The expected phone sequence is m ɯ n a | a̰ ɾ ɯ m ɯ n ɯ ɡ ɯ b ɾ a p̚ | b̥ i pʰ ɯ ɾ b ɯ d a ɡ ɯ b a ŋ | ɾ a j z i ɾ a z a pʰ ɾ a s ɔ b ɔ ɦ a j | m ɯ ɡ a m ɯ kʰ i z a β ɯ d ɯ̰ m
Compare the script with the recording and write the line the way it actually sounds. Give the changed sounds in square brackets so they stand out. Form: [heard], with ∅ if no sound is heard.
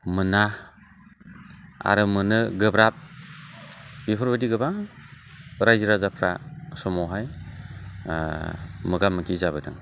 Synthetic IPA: m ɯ n a | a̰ ɾ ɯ m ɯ n ɯ ɡ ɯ b ɾ a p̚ | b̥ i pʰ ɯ ɾ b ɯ d [i] ɡ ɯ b a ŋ | ɾ a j z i ɾ a z a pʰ ɾ a s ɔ [m] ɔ ɦ a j | m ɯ ɡ a m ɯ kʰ i z a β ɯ d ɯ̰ [ŋ]